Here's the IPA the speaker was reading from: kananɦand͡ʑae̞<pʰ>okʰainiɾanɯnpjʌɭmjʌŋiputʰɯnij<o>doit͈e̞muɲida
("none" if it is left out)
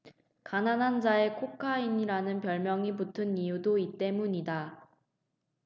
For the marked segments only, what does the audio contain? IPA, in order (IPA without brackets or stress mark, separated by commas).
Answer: kʰ, u